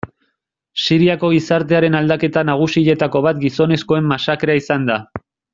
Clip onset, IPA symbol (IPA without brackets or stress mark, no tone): s